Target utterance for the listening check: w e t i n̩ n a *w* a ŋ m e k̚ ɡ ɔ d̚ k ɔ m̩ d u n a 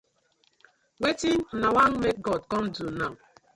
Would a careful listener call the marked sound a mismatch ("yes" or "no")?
no